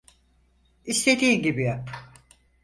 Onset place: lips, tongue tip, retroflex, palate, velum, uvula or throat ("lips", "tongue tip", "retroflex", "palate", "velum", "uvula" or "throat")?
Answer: tongue tip